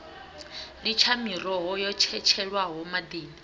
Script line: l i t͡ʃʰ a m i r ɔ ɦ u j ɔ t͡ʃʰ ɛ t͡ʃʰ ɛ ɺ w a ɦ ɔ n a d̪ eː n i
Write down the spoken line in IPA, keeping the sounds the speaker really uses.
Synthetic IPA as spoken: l i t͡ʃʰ a m i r ɔ ɦ ɔ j ɔ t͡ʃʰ ɛ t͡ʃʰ ɛ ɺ w a ɦ ɔ m a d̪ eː n i